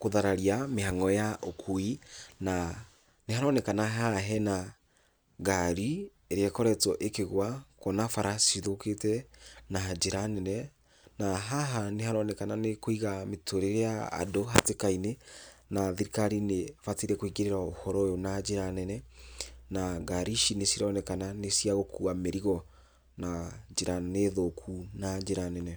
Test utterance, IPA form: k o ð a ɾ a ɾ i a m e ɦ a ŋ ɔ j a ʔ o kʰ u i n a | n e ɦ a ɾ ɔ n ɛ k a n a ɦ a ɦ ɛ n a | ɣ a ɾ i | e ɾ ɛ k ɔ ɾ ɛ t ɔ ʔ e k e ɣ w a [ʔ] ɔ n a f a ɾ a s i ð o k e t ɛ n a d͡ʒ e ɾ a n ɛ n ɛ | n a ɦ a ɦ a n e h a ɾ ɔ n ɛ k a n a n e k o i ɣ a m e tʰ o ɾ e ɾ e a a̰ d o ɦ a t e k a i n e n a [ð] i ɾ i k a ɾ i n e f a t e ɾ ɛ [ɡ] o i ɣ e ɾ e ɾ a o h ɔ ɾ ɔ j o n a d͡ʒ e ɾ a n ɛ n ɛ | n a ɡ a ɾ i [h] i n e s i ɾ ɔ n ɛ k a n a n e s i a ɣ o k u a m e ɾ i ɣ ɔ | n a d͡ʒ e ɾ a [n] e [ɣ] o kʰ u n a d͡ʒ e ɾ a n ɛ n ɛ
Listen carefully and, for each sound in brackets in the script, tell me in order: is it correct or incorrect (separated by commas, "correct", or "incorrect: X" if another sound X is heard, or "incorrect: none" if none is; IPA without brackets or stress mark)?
incorrect: k, correct, incorrect: k, incorrect: ʃ, correct, incorrect: ð